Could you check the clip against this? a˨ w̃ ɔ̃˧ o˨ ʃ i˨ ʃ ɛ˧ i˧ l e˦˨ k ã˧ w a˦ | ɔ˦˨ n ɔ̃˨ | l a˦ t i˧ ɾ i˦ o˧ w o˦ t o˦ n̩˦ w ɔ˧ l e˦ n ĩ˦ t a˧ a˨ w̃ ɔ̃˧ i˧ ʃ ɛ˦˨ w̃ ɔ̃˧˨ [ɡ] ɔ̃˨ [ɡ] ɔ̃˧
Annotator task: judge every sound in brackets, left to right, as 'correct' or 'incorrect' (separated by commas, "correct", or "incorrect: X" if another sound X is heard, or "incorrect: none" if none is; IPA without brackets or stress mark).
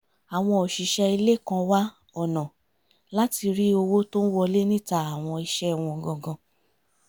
correct, correct